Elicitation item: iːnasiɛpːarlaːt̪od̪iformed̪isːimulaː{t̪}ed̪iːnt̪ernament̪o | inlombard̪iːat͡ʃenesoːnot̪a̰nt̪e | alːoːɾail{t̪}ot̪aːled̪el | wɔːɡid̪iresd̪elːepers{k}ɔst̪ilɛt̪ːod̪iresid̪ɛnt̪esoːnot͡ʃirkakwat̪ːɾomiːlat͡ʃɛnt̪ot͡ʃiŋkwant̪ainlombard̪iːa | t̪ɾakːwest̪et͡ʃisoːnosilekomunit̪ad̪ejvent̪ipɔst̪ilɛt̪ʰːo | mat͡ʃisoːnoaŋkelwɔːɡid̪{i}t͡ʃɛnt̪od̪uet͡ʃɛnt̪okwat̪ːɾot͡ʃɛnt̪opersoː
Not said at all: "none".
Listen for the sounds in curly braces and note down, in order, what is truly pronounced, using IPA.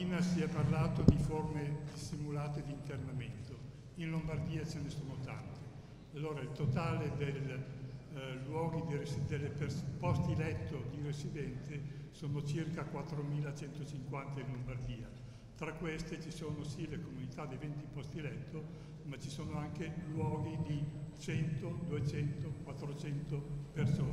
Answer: t̪, t̪, p, i

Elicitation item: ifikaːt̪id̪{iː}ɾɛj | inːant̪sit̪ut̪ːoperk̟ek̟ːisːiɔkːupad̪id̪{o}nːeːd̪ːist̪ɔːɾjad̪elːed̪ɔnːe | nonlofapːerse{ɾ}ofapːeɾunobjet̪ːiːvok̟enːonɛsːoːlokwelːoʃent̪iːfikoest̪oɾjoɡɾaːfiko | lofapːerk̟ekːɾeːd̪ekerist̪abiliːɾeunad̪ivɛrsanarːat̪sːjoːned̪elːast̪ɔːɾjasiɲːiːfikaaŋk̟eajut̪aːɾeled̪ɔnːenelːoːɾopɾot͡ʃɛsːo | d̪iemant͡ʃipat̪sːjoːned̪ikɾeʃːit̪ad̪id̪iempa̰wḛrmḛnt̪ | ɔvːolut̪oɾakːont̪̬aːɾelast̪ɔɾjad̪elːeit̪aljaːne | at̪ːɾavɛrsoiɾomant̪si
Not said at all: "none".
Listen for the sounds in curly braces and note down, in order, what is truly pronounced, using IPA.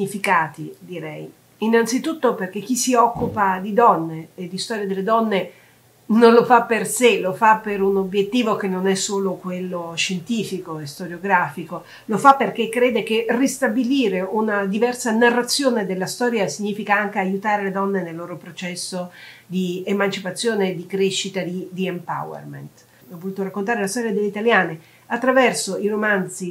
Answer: i, ɔ, l

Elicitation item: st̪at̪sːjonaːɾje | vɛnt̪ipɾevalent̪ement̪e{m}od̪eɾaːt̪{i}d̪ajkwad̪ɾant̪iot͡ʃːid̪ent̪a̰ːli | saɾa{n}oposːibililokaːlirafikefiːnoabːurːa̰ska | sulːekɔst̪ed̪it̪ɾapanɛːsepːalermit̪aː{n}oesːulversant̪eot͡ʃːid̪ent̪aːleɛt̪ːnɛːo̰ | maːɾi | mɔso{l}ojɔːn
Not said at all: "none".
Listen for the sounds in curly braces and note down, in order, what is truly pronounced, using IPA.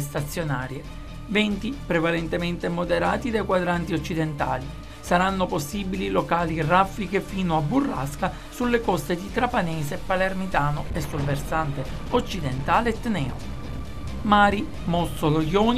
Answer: m, i, nː, n, l

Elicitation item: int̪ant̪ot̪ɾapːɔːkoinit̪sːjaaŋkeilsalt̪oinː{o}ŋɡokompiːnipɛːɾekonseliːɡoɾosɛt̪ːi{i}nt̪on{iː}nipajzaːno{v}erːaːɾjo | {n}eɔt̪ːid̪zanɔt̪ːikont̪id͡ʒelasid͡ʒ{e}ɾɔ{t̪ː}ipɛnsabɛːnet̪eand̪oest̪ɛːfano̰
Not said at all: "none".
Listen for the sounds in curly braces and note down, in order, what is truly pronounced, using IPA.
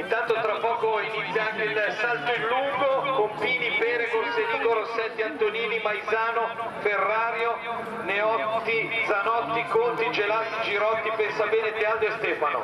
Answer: u, a, iː, f, n, i, t̪ː

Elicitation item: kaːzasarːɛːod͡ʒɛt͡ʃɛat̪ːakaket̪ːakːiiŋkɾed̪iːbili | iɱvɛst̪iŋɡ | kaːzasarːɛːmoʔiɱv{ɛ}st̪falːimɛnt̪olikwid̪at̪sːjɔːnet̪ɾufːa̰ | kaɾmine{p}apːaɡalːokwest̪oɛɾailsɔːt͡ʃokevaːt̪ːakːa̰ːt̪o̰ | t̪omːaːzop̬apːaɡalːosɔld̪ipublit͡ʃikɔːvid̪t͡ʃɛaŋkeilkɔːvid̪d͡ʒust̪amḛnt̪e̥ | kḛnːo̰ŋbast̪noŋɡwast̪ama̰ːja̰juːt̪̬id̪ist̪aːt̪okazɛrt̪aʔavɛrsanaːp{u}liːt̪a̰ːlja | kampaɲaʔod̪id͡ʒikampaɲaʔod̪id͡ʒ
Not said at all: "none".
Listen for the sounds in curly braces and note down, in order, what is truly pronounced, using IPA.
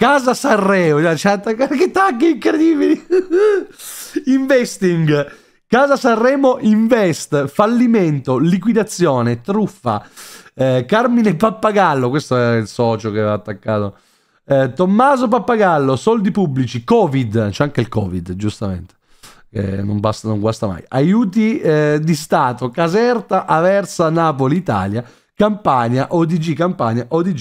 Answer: ɛ, p, o

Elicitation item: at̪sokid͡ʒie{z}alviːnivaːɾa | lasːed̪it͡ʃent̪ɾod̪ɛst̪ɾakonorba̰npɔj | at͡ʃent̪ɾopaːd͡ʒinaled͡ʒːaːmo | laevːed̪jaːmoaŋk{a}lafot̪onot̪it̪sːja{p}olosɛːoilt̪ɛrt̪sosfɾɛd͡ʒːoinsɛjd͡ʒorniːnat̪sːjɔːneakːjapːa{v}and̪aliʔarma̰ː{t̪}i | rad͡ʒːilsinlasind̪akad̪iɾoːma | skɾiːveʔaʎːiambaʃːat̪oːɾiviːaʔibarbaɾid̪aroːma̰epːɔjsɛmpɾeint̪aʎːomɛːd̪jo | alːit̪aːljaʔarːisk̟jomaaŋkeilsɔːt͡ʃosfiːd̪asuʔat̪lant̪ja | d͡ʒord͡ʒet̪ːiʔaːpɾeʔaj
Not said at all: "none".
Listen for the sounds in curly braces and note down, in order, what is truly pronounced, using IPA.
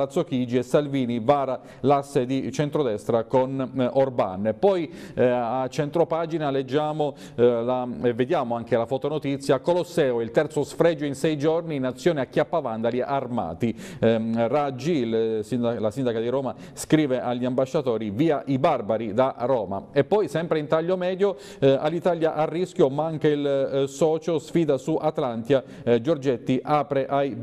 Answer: s, e, k, v, t̪

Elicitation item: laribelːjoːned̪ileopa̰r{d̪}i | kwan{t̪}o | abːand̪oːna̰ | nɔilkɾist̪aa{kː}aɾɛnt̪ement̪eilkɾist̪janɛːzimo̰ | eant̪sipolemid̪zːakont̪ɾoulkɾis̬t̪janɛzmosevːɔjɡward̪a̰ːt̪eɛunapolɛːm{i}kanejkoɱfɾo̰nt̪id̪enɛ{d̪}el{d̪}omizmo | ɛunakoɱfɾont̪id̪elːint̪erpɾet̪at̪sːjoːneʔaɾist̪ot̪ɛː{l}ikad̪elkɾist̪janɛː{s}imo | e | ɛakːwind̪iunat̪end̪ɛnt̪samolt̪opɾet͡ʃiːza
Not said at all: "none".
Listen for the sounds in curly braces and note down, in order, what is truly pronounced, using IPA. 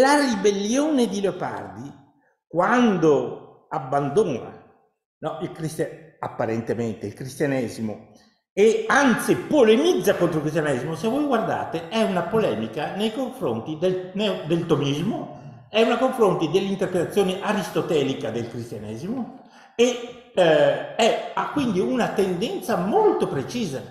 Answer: d̪, d̪, pː, i, d̪, t̪, l, z

